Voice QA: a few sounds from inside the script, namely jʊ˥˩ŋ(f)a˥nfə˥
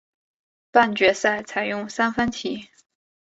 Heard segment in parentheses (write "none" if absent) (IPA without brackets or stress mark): s